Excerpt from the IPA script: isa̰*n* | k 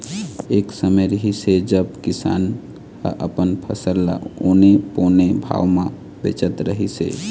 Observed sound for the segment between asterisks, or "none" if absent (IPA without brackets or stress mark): n